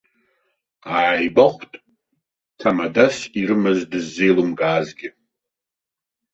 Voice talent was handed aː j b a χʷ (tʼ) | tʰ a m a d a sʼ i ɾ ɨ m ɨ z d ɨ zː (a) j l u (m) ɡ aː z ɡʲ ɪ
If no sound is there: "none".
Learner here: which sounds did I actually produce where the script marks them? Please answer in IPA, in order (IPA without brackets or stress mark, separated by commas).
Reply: tʼ, e, m